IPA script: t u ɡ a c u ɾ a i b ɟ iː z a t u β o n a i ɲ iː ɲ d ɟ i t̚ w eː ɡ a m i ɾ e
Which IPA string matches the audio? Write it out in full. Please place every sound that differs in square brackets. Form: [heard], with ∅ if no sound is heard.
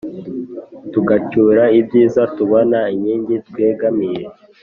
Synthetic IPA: t u ɡ a c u ɾ a i b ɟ iː z a t u β o n a i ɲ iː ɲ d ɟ i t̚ w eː ɡ a m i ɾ e